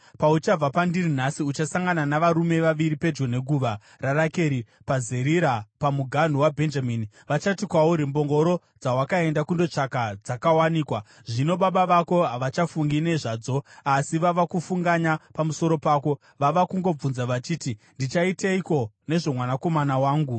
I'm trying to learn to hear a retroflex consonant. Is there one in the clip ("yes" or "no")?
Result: yes